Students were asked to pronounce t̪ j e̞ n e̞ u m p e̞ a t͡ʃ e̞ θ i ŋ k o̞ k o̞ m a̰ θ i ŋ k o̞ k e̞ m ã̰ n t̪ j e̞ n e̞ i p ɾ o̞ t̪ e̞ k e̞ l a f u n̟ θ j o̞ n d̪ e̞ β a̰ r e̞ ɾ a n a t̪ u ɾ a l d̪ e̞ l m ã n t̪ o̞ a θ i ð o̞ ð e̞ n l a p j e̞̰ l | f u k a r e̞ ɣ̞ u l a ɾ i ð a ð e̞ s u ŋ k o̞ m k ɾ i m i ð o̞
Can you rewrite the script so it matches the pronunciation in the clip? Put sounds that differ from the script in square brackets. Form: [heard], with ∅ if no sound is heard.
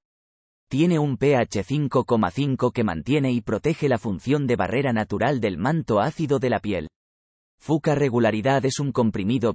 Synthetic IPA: t̪ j e̞ n e̞ u m p e̞ a t͡ʃ e̞ θ i ŋ k o̞ k o̞ m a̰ θ i ŋ k o̞ k e̞ m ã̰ n t̪ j e̞ n e̞ i p ɾ o̞ t̪ e̞ [x] e̞ l a f u n̟ θ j o̞ n d̪ e̞ β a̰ r e̞ ɾ a n a t̪ u ɾ a l d̪ e̞ l m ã n t̪ o̞ a θ i ð o̞ ð e̞ [∅] l a p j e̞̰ l | f u k a r e̞ ɣ̞ u l a ɾ i ð a ð e̞ s u ŋ k o̞ m [p] ɾ i m i ð o̞